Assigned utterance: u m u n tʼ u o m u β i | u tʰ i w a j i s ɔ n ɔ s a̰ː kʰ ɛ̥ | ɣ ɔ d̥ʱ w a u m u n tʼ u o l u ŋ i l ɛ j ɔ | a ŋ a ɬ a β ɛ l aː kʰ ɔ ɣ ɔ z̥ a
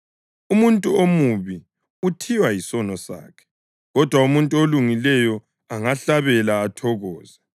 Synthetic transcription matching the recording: u m u n tʼ u o m u β i | u tʰ i w a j i s ɔ n ɔ s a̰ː kʰ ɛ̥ | ɣ ɔ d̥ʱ w a u m u n tʼ u o l u ŋ i l ɛ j ɔ | a ŋ a ɬ a β ɛ l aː tʰ ɔ ɣ ɔː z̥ a